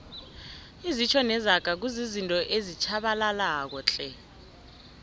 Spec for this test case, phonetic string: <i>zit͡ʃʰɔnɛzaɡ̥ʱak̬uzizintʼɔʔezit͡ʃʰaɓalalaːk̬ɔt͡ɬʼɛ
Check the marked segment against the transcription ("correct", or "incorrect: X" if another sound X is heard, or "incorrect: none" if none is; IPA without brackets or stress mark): correct